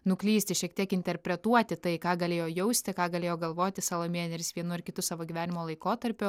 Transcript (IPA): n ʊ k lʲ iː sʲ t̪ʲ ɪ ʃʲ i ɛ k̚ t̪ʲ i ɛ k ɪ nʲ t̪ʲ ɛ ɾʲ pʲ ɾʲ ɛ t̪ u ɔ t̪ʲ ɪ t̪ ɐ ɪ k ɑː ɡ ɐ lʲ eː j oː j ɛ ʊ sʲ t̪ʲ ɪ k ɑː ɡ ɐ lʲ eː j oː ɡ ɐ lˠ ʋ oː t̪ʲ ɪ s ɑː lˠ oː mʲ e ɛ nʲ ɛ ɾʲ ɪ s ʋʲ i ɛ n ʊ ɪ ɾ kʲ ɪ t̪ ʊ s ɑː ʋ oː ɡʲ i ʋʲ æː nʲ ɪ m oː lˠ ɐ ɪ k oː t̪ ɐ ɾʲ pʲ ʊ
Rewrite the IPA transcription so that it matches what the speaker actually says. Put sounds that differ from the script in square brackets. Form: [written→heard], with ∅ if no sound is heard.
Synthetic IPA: n ʊ k lʲ iː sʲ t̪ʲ ɪ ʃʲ i ɛ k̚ t̪ʲ i ɛ k ɪ nʲ t̪ʲ ɛ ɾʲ pʲ ɾʲ ɛ t̪ u ɔ t̪ʲ ɪ t̪ ɐ ɪ k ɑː ɡ ɐ lʲ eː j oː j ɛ ʊ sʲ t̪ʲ ɪ k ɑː ɡ ɐ lʲ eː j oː ɡ ɐ lˠ ʋ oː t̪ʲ ɪ s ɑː lˠ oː mʲ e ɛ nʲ ɛ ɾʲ ɪ s ʋʲ i ɛ n ʊ ɪ ɾ kʲ ɪ t̪ ʊ s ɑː ʋ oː ɡʲ i ʋʲ æː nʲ ɪ m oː lˠ ɐ ɪ k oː t̪ ɐ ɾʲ pʲ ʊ

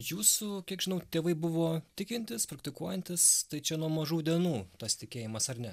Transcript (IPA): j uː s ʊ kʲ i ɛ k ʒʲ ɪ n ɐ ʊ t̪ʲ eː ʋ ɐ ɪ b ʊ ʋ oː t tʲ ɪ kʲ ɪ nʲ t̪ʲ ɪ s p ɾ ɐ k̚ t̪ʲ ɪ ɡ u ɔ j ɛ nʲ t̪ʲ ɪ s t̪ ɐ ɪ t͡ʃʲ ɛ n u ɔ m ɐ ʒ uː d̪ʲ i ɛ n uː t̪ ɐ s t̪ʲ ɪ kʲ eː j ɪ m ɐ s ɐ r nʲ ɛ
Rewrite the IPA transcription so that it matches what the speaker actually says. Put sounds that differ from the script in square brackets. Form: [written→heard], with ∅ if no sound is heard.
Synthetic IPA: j uː s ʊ kʲ i ɛ k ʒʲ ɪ n ɐ ʊ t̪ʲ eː ʋ ɐ ɪ b ʊ ʋ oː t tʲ ɪ kʲ ɪ nʲ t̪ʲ ɪ s p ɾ ɐ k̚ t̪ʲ ɪ [ɡ→k] u ɔ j ɛ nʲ t̪ʲ ɪ s t̪ ɐ ɪ t͡ʃʲ ɛ n u ɔ m ɐ ʒ uː d̪ʲ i ɛ n uː t̪ ɐ s t̪ʲ ɪ kʲ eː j ɪ m ɐ s ɐ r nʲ ɛ

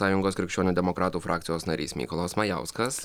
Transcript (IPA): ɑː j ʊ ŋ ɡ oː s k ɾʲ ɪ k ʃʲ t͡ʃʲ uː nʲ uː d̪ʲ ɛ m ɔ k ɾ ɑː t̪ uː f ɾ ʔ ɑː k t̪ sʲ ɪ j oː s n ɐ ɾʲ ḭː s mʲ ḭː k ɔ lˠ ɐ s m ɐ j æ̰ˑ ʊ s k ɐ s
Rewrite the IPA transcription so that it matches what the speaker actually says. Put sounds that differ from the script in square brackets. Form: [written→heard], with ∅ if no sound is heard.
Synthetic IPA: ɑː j ʊ ŋ ɡ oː s k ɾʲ ɪ k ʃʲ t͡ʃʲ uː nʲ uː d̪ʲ ɛ m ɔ k ɾ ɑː t̪ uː f ɾ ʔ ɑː k t̪ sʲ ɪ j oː s n ɐ ɾʲ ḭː s mʲ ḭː k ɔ lˠ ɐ s m ɐ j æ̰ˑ ʊ s k ɐ s

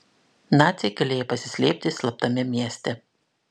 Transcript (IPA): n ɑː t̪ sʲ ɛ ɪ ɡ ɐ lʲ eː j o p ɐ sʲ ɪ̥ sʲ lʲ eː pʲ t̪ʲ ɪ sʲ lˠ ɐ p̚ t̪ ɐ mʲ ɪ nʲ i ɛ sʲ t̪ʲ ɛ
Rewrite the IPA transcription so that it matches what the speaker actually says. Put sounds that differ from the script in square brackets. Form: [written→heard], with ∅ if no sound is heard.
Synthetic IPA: n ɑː t̪ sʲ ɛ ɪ ɡ ɐ lʲ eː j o p ɐ sʲ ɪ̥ sʲ lʲ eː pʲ t̪ʲ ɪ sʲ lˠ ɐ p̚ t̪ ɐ mʲ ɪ [nʲ→mʲ] i ɛ sʲ t̪ʲ ɛ

